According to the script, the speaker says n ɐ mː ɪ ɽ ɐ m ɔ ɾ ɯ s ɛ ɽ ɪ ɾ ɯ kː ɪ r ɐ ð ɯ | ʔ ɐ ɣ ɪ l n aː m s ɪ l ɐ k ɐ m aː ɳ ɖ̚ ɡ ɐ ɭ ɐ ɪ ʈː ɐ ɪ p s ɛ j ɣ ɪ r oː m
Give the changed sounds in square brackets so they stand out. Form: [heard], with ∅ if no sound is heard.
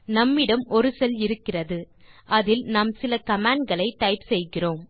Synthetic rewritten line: n ɐ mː ɪ ɽ ɐ m ɔ ɾ ɯ s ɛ [l] ɪ ɾ ɯ kː ɪ r ɐ ð ɯ | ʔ ɐ [ð] ɪ l n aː m s ɪ l ɐ k ɐ m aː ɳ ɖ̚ ɡ ɐ ɭ ɐ ɪ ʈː ɐ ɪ p s ɛ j ɣ ɪ r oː m